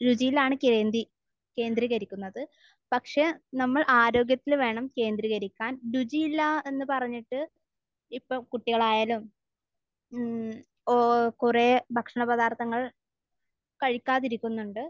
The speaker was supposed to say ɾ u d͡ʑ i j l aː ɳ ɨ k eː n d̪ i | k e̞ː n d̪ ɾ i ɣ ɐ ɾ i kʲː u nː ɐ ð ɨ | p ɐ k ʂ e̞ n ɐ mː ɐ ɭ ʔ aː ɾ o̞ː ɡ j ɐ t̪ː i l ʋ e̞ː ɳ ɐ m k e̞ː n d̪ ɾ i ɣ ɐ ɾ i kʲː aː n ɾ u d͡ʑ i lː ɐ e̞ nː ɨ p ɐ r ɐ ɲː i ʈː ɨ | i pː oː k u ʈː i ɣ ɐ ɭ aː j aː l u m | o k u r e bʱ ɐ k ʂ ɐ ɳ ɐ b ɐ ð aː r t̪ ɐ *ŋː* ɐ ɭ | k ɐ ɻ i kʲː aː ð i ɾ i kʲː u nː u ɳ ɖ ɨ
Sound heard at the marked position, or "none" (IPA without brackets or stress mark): ŋː